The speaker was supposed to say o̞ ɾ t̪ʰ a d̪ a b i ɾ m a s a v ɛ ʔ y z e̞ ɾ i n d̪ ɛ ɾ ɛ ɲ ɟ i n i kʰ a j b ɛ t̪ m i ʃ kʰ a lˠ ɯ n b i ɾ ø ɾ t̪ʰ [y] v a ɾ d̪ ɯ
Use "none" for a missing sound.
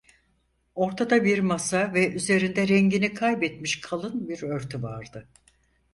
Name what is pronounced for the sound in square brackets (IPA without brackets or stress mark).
y